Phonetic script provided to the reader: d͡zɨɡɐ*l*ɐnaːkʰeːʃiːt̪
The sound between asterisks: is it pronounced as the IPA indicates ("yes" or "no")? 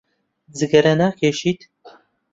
no